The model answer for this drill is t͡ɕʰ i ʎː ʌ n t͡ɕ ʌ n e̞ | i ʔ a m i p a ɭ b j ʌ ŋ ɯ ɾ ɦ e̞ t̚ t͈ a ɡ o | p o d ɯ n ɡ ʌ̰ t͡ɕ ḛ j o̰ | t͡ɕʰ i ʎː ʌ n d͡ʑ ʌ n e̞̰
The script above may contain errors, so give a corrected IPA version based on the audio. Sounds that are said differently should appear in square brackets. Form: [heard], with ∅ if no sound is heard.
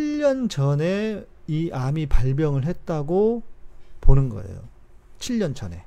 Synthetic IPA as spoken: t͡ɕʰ i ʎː ʌ n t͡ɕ ʌ n e̞ | i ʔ a m i p a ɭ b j ʌ ŋ ɯ [ɭ] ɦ e̞ t̚ t͈ a ɡ o | p o [n] ɯ n ɡ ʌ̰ [∅] ḛ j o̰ | t͡ɕʰ i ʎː ʌ n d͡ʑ ʌ n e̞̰